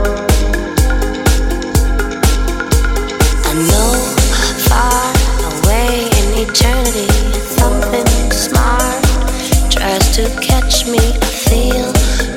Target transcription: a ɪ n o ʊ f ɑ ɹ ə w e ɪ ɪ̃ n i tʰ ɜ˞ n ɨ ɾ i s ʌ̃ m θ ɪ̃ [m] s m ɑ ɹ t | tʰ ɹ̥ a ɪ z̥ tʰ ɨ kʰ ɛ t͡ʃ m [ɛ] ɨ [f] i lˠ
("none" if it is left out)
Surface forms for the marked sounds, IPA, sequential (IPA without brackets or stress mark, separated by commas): ŋ, i, f